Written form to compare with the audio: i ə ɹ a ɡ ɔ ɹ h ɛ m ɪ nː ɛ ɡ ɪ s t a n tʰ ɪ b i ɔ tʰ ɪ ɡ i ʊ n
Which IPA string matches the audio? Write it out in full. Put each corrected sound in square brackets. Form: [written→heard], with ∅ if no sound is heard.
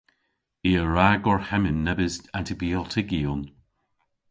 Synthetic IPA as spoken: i ə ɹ a ɡ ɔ ɹ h ɛ m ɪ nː ɛ [ɡ→b] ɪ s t a n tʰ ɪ b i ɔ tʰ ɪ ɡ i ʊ n